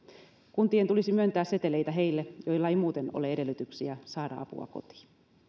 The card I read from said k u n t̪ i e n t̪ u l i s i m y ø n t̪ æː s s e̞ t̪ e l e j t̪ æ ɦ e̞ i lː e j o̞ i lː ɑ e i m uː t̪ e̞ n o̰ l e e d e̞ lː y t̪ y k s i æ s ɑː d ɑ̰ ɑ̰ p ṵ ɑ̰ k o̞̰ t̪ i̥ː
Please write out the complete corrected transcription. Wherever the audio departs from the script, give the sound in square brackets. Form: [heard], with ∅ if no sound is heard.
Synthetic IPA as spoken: k u n t̪ i e n t̪ u l i s i m y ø n t̪ æː s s e̞ t̪ e l e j t̪ æ ɦ e̞ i lː e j o̞ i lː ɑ e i m uː t̪ e̞ n o̰ l e e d e̞ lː y t̪ y k s i æ s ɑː d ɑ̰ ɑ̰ p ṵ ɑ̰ k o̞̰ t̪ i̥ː